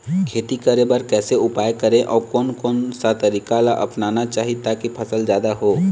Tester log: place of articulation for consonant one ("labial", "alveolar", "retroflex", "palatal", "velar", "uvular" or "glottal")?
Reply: velar